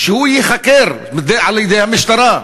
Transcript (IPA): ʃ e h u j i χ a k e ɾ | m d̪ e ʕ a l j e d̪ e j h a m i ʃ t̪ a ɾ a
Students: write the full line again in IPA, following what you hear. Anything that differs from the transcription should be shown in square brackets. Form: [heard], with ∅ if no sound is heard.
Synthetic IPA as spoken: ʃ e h u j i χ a k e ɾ | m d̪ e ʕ a l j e d̪ e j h a m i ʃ t̪ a ɾ a